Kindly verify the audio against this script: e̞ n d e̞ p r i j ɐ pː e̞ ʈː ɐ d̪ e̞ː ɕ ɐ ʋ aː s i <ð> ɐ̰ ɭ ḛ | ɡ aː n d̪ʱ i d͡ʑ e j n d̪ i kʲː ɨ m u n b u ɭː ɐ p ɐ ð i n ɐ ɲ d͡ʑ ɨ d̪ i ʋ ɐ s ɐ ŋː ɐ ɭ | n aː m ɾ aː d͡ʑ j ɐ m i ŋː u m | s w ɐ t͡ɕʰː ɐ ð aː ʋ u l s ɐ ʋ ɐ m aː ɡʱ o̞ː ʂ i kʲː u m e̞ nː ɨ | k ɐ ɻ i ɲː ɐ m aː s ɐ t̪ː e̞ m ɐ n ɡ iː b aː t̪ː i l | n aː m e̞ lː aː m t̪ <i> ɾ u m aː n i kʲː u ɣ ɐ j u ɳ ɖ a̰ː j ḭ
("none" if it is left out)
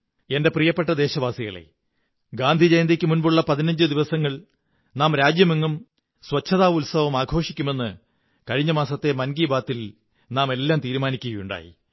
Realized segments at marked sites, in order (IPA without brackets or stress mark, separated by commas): ɣ, iː